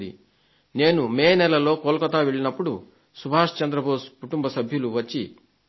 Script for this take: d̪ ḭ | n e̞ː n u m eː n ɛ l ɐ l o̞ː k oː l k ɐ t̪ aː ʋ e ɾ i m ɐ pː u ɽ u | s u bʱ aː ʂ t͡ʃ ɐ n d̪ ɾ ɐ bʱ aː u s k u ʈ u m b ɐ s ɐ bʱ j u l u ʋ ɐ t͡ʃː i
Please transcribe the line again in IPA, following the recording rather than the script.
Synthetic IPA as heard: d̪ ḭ | n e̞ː n u m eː n ɛ l ɐ l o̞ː k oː l k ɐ t̪ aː ʋ e ɭ i n ɐ pː u ɽ u | s u bʱ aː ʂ t͡ʃ ɐ n d̪ ɾ ɐ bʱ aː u s k u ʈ u m b ɐ s ɐ bʱ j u l u ʋ ɐ t͡ʃː i